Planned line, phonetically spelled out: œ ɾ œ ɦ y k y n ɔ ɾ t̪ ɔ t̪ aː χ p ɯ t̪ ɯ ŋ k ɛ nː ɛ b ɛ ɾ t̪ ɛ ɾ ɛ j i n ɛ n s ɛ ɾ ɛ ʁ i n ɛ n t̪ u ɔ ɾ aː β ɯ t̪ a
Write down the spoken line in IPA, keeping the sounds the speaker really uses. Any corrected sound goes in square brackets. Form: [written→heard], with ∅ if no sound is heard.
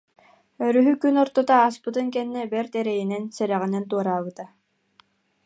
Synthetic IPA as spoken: œ ɾ [œ→y] ɦ y k y n ɔ ɾ t̪ ɔ t̪ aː [χ→s] p ɯ t̪ ɯ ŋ k ɛ nː ɛ b ɛ ɾ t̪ ɛ ɾ ɛ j i n ɛ n s ɛ ɾ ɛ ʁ i n ɛ n t̪ u ɔ ɾ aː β ɯ t̪ a